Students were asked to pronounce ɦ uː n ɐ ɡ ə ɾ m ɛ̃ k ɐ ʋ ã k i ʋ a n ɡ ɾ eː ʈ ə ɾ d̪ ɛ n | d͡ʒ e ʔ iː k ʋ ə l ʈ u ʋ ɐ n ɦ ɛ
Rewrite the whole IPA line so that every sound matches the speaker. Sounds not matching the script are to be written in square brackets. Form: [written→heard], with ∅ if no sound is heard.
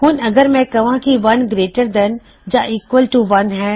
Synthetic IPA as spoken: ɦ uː n ɐ ɡ ə ɾ m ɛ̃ k ɐ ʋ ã k i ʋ [a→ɐ] n ɡ ɾ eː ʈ ə ɾ d̪ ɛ n | d͡ʒ [e→a] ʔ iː k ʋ ə l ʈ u ʋ ɐ n ɦ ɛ